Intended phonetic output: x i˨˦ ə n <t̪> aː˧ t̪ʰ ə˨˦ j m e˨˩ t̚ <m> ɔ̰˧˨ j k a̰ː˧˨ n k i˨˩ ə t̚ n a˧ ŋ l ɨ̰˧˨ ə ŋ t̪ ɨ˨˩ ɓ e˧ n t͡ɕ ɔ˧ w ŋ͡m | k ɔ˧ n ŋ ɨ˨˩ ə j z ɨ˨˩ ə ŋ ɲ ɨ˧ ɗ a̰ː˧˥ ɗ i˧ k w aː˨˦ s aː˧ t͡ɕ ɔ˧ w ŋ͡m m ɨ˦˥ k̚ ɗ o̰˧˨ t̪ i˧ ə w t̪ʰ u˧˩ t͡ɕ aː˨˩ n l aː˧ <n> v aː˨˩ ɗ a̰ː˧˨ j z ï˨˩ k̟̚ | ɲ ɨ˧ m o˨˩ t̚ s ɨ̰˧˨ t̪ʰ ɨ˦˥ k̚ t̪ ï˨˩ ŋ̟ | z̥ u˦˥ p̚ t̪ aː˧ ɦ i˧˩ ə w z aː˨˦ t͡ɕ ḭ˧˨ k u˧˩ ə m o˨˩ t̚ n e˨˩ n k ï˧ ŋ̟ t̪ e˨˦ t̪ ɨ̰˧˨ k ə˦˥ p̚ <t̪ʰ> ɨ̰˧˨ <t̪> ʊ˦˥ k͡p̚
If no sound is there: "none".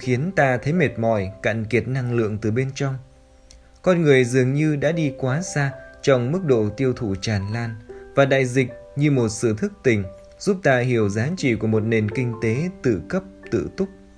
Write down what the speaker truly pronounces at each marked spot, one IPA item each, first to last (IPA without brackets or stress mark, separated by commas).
t̪, m, n, t̪, t̪